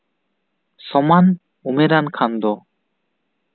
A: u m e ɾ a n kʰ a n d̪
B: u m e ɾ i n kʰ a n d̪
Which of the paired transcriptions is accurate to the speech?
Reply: A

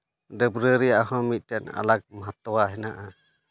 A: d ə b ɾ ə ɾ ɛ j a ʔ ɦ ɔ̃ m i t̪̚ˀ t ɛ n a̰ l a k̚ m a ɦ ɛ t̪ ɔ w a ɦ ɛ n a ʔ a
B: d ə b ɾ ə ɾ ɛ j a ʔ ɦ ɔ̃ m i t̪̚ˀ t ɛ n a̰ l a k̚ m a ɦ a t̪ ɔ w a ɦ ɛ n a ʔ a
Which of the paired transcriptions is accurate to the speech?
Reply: B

